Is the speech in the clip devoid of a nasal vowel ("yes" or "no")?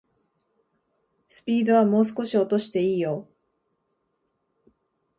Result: yes